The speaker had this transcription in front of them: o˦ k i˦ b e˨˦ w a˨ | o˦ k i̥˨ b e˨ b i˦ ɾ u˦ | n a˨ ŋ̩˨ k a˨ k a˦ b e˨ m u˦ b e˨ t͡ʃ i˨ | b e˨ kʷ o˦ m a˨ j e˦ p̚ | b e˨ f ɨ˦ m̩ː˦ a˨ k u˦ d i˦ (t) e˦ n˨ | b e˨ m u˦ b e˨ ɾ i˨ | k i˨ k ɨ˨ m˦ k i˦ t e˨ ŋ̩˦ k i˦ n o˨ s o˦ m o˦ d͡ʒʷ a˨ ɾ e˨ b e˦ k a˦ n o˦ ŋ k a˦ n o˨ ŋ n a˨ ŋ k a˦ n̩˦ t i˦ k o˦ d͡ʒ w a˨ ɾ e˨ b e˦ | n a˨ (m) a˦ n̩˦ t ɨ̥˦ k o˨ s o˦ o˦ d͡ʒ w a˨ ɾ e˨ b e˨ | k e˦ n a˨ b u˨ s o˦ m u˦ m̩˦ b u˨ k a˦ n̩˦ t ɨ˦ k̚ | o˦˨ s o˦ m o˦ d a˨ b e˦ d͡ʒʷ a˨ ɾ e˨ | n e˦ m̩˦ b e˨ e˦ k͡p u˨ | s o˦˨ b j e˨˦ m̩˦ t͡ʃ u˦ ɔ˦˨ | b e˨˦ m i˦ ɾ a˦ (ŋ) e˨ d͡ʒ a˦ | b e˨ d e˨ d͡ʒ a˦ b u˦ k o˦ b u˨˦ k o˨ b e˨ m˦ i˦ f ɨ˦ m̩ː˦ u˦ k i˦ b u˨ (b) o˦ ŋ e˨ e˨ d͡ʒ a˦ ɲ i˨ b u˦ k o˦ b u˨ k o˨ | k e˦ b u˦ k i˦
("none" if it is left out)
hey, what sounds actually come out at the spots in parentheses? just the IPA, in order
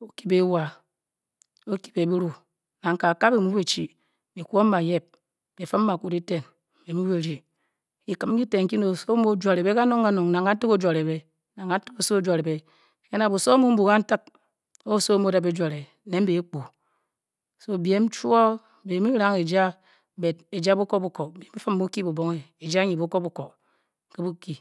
t, ŋ, ŋ, b

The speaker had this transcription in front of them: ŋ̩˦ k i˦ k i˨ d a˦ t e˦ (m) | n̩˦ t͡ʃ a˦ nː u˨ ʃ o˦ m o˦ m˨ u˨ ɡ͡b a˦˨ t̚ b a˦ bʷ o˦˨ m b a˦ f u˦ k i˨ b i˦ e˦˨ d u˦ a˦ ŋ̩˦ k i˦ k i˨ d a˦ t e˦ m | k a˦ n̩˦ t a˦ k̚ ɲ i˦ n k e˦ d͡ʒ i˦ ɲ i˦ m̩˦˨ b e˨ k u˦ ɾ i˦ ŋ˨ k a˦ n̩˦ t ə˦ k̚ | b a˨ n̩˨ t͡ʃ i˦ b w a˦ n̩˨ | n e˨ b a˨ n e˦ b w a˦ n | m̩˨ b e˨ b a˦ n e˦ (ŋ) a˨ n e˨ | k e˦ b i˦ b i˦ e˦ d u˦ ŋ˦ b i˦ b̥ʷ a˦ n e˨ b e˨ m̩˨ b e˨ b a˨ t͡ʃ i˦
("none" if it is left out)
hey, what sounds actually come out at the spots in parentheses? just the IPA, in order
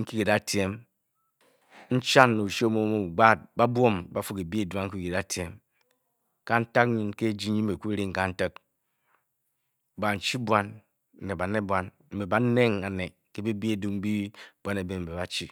m, ŋ

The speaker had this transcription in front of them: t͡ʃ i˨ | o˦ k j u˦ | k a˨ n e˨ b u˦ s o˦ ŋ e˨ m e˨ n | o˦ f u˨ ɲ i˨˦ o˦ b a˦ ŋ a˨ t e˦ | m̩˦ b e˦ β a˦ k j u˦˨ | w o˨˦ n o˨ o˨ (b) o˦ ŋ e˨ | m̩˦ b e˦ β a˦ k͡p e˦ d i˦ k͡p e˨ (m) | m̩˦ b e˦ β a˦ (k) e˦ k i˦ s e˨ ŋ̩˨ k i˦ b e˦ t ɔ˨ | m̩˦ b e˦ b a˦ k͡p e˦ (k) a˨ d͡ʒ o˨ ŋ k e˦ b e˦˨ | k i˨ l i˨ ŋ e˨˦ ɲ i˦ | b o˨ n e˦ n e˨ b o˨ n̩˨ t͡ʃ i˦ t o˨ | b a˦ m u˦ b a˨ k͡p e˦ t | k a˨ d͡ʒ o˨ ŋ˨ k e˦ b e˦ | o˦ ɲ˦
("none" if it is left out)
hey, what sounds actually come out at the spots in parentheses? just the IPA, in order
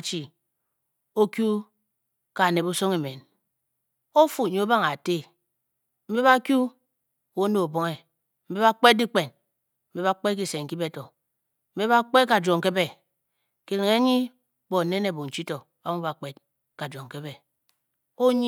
b, n, k͡p, k

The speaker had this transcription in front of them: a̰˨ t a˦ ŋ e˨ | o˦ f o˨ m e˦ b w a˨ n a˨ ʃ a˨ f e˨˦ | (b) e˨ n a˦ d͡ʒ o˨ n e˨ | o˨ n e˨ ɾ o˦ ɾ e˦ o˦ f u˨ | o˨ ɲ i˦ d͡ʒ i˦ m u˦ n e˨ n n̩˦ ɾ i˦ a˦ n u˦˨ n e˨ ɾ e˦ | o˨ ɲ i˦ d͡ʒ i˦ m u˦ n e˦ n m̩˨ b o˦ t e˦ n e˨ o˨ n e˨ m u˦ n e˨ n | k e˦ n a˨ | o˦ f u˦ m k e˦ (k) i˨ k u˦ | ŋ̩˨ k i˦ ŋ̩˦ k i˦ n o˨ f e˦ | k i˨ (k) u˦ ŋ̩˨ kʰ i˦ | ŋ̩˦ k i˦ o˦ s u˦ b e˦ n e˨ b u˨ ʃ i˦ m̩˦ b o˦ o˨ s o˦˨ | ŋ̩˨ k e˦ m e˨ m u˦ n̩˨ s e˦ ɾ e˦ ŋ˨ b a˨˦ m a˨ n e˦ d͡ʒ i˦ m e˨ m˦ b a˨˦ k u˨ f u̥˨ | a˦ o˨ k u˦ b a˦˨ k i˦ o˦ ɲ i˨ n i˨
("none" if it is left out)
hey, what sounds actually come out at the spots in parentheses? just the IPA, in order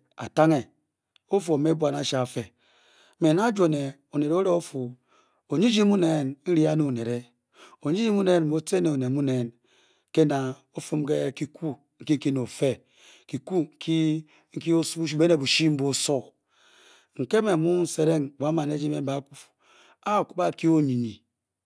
m, k, k

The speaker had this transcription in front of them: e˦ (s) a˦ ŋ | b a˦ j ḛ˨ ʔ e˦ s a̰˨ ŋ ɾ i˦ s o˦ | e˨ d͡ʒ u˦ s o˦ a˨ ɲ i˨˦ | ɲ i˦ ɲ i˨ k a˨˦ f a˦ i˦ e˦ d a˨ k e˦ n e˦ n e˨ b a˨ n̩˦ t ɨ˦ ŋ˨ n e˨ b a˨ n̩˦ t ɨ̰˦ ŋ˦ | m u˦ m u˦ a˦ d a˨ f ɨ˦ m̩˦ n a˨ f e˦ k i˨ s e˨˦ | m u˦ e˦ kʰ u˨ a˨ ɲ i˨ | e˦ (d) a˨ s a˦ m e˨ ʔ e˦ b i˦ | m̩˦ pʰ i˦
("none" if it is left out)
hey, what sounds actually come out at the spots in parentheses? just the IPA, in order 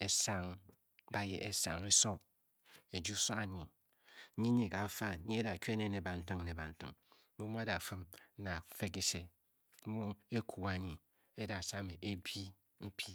s, d

